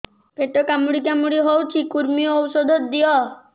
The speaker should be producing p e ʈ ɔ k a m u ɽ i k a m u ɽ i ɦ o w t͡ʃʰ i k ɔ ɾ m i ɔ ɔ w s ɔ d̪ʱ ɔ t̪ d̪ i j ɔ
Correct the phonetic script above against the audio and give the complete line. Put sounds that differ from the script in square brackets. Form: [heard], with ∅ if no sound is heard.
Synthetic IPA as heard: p e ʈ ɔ k a m u ɽ i k a m u ɽ i ɦ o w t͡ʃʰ i k [u] ɾ m i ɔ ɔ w s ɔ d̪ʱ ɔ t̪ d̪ i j ɔ